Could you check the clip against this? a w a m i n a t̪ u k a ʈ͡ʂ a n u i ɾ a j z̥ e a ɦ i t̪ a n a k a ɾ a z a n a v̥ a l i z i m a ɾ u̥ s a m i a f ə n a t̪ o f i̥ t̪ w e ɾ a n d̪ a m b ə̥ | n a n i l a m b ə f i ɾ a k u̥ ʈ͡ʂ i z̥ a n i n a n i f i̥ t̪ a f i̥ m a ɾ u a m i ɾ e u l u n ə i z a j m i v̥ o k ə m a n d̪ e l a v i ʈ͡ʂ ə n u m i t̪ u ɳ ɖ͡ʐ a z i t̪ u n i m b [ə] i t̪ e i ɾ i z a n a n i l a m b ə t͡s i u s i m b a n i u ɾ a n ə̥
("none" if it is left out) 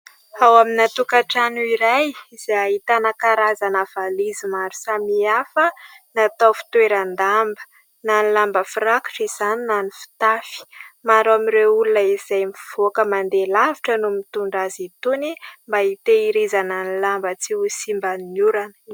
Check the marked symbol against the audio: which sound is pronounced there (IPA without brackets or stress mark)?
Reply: a